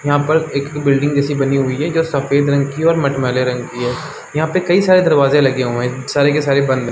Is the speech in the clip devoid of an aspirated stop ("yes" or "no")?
yes